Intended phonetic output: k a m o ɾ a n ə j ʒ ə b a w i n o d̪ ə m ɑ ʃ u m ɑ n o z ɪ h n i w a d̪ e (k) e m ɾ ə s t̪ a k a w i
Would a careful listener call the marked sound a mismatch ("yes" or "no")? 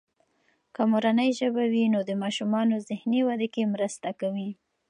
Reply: no